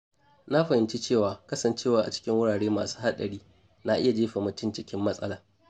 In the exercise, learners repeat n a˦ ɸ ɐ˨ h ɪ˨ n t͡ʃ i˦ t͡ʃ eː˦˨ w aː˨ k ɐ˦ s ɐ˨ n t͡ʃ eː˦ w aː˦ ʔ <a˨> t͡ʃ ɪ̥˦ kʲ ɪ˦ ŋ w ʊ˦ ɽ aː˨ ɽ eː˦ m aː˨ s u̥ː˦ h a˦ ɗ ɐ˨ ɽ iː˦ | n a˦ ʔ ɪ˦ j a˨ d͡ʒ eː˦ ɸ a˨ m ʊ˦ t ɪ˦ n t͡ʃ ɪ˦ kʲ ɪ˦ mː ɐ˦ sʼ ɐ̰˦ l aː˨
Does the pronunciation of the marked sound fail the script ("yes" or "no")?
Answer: no